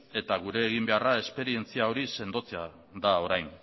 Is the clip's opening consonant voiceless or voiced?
voiceless